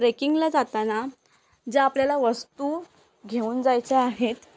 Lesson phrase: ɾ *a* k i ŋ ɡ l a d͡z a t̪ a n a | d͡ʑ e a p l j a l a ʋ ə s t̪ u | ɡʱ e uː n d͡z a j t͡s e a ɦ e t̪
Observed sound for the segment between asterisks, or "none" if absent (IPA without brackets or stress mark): e